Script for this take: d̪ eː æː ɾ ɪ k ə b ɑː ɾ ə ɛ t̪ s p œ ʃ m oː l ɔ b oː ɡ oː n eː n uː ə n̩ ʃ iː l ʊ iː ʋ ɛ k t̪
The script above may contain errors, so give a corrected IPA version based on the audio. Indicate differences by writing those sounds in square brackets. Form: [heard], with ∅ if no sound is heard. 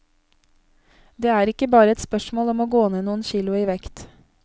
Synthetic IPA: d̪ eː æː ɾ ɪ k ə b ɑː ɾ ə ɛ t̪ s p œ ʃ m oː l ɔ [m] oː ɡ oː n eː n uː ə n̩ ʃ iː l ʊ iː ʋ ɛ k t̪